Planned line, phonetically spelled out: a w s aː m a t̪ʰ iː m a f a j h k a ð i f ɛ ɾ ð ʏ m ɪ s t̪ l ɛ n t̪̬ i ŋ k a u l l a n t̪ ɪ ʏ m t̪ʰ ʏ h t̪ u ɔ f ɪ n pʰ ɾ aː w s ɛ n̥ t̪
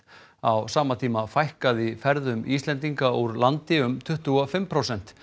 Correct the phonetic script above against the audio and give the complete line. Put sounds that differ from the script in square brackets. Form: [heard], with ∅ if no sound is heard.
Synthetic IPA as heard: a w s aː m a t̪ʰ iː m a f a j h k a ð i f ɛ ɾ ð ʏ m [i] s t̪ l ɛ n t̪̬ i ŋ k a u [ɾ] l a n t̪ ɪ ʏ m t̪ʰ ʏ h t̪ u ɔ f ɪ [m] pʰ ɾ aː w s ɛ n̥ t̪